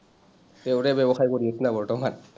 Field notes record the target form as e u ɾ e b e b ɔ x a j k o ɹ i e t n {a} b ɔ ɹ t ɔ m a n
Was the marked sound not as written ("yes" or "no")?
no